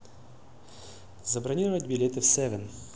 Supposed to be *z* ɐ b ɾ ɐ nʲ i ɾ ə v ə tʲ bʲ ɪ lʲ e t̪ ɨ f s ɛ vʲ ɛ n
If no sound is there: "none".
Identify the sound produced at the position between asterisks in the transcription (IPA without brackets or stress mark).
z